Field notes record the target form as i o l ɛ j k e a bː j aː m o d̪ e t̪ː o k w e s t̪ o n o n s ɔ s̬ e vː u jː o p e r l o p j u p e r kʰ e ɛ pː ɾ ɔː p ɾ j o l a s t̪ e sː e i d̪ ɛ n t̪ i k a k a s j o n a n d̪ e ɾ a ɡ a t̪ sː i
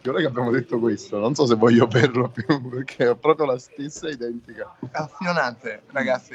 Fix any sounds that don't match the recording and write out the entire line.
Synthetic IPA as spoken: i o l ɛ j k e a bː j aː m o d̪ e t̪ː o k w e s t̪ o n o n s ɔ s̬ e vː ɔ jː o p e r l o p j u p e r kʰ e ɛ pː ɾ ɔː p ɾ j o l a s t̪ e sː a i d̪ ɛ n t̪ i k a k a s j o n a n t̪ e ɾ a ɡ a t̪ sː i